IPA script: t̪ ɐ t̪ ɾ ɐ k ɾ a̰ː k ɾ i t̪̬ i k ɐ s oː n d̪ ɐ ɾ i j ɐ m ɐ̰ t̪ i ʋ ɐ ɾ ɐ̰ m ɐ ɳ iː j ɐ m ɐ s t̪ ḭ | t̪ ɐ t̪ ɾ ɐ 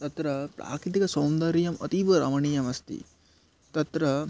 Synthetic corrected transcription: t̪ ɐ t̪ ɾ ɐ p ɾ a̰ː k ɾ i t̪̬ i k ɐ s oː m d̪ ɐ ɾ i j ɐ m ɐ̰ t̪ i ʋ ɐ ɾ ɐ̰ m ɐ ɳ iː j ɐ m ɐ s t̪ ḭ | t̪ ɐ t̪ ɾ ɐ